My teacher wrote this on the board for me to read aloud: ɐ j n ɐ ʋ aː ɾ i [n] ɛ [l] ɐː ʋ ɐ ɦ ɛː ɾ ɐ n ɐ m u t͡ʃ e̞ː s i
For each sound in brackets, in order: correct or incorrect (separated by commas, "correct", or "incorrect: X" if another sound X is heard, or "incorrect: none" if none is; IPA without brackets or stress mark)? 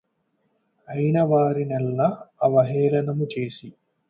correct, incorrect: lː